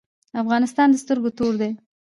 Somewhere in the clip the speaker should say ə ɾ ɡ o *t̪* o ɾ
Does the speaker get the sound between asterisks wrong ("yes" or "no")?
no